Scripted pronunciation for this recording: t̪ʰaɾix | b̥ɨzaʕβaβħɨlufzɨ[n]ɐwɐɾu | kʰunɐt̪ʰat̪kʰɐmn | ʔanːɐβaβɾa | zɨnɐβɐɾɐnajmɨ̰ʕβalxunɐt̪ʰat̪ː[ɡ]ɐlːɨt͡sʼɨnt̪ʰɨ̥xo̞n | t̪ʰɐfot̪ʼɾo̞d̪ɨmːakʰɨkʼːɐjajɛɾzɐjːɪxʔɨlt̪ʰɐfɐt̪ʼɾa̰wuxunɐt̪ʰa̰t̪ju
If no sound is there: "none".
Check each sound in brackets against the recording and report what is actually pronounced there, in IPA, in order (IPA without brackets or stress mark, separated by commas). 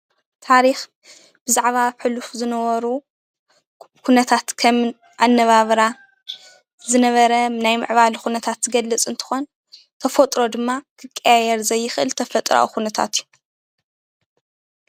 n, ɡ